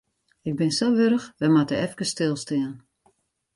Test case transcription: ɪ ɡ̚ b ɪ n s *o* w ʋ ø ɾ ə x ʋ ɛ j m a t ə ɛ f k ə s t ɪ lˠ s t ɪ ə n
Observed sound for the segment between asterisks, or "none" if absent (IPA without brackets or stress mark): o